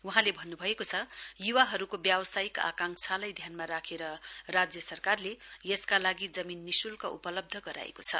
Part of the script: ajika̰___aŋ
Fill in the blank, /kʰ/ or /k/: k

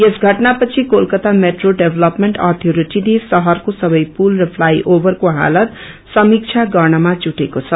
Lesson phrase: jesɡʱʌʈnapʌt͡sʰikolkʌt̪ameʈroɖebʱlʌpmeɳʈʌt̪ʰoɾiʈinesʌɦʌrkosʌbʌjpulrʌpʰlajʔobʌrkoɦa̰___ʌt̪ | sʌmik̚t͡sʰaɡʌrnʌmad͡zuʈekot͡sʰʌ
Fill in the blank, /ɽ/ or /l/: l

